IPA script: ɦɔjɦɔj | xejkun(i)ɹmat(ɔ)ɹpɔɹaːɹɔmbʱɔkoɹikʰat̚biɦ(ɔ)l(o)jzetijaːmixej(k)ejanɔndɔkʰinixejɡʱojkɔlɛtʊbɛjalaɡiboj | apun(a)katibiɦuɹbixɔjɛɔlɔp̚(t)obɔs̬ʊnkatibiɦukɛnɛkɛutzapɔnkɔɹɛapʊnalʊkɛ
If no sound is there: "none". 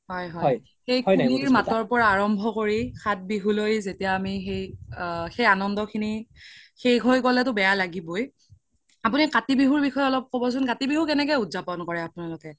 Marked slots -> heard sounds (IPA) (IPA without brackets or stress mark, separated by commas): i, ɔ, u, o, x, i, k